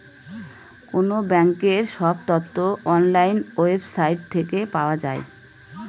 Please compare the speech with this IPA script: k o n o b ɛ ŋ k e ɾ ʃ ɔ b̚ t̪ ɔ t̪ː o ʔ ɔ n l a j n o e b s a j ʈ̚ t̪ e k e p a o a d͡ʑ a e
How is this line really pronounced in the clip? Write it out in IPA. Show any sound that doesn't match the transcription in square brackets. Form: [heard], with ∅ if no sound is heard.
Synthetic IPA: k o n o b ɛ ŋ k e ɾ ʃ ɔ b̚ t̪ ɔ t̪ː o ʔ ɔ n l a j n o e b s a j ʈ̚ [t̪ʰ] e k e p a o a d͡ʑ a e